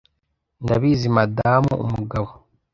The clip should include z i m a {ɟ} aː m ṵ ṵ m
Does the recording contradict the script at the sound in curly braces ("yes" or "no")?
yes